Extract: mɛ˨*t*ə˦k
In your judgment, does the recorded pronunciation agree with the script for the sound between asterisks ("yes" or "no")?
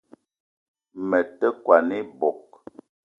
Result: yes